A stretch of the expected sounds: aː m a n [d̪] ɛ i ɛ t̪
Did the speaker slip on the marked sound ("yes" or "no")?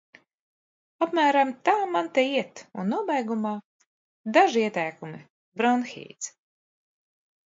yes